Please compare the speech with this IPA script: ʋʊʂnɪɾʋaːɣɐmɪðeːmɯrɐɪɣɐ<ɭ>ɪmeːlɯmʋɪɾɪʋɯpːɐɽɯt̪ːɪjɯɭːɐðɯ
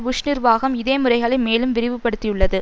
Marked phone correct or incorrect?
correct